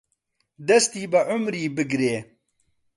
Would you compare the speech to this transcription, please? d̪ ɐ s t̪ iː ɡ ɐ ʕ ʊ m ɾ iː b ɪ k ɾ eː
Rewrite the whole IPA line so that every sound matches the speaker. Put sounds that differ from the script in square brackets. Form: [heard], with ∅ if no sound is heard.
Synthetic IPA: d̪ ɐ s t̪ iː [b] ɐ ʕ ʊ m ɾ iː b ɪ [ɡ] ɾ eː